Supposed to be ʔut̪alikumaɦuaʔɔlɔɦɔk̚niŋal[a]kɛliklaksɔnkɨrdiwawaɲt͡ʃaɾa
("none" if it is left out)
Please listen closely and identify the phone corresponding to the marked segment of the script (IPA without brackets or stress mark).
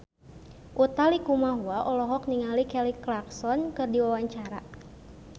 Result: i